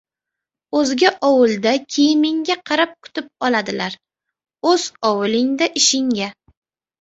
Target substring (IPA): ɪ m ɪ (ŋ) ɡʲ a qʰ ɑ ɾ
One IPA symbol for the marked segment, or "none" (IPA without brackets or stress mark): ŋ